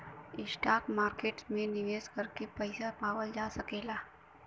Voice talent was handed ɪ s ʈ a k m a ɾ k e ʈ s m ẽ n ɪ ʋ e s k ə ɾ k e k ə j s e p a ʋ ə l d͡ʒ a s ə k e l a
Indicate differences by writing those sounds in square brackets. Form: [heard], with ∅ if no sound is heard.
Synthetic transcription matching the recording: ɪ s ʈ a k m a ɾ k e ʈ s m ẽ n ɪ ʋ e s k ə ɾ k e [p] ə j s [a] p a ʋ ə l d͡ʒ a s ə k e l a